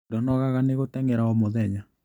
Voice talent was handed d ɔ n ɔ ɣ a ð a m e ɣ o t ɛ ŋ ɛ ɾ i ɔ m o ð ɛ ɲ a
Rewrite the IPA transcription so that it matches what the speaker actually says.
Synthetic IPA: d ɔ n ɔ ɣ a ɣ a n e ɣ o t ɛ ŋ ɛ ɾ a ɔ m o ð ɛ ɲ a